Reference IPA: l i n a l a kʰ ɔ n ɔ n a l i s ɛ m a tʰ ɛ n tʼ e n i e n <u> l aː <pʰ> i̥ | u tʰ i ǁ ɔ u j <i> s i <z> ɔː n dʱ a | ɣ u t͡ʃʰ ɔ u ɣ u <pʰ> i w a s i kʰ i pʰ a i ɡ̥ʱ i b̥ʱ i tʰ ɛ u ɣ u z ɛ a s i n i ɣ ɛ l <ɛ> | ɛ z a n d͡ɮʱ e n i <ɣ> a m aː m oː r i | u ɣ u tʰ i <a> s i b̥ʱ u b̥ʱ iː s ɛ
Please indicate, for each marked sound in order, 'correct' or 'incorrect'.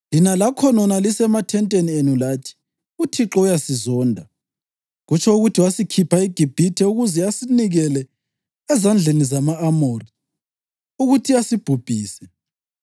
correct, incorrect: tʰ, incorrect: a, correct, incorrect: tʰ, correct, incorrect: z, correct

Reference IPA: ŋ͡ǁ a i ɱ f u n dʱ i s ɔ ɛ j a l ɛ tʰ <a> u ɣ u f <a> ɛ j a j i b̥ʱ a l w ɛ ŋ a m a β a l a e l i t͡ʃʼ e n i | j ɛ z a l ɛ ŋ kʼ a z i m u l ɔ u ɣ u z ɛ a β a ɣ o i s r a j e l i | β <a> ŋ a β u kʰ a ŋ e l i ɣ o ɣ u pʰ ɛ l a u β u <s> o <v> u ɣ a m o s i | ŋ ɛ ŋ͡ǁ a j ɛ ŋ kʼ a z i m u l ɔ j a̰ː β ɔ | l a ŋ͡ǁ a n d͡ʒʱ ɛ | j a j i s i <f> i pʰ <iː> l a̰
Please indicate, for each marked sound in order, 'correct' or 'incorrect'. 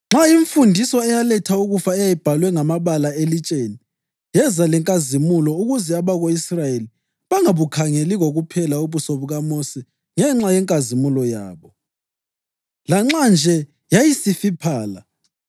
correct, correct, correct, correct, incorrect: β, correct, incorrect: aː

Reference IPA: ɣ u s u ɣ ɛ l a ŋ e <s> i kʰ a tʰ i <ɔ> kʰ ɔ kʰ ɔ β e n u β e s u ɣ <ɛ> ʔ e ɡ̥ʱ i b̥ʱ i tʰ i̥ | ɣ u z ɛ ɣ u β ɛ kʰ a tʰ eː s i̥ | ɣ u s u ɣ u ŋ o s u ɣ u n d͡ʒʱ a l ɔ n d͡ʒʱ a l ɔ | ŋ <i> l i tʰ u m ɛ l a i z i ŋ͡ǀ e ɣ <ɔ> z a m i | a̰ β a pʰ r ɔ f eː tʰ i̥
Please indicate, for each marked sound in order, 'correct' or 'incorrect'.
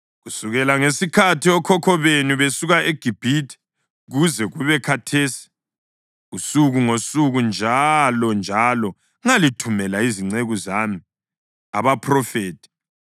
correct, correct, incorrect: a, incorrect: a, incorrect: u

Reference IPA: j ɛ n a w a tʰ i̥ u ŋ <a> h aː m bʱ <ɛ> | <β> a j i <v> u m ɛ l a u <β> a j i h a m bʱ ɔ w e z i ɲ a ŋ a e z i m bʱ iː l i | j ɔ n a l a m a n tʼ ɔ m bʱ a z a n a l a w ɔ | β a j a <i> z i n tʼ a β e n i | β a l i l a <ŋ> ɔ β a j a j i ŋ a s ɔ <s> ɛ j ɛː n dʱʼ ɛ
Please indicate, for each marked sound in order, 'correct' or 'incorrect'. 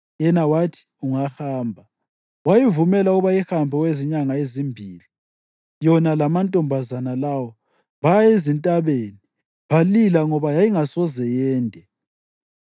correct, incorrect: a, incorrect: w, correct, correct, incorrect: e, correct, incorrect: z

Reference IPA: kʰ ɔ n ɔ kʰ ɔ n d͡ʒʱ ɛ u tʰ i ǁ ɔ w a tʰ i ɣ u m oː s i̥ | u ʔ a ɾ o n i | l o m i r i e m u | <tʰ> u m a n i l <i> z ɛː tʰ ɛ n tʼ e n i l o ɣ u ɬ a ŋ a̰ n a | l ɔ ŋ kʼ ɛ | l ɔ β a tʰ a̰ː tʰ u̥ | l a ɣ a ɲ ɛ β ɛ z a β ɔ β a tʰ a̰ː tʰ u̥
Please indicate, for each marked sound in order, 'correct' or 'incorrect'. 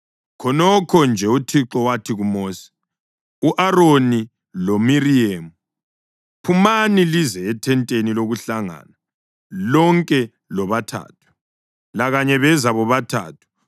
incorrect: pʰ, correct

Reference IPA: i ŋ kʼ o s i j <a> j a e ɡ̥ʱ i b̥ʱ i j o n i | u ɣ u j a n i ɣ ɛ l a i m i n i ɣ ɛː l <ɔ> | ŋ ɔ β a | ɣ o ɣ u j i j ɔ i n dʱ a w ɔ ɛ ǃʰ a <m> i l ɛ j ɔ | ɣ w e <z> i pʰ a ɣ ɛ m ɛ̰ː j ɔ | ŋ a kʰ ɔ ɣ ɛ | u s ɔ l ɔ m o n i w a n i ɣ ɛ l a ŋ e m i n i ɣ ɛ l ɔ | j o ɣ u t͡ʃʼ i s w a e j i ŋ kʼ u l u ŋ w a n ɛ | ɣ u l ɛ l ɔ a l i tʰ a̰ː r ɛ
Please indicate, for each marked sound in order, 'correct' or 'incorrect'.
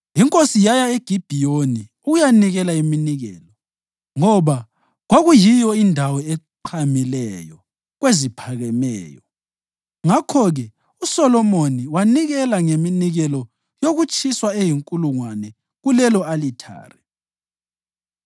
correct, correct, correct, correct

